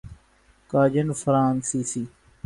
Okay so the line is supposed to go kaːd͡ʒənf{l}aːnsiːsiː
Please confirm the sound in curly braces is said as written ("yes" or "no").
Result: no